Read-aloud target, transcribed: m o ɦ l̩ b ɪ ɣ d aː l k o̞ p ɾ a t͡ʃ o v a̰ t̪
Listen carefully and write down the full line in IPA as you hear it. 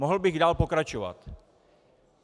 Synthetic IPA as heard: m o ɦ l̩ b ɪ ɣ d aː l p o̞ k ɾ a t͡ʃ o v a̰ t̪